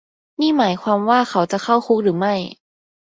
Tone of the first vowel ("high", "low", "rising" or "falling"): falling